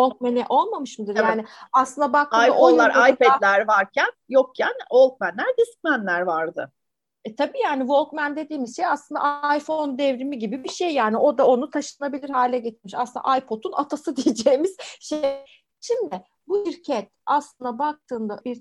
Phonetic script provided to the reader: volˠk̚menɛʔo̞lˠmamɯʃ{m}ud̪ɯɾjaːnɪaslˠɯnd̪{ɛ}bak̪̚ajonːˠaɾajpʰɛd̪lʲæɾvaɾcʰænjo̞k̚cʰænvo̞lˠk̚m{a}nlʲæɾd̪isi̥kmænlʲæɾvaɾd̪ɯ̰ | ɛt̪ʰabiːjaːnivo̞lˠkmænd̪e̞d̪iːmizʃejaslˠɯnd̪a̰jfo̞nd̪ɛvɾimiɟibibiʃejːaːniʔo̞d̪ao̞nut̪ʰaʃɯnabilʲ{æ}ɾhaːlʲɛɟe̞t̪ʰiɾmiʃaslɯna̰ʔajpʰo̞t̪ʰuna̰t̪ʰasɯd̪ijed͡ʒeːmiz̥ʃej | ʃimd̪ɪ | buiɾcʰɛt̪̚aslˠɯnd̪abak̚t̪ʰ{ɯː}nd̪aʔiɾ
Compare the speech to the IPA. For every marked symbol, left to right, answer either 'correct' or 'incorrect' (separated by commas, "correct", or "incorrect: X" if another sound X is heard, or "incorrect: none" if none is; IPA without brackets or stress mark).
correct, incorrect: a, incorrect: æ, incorrect: i, correct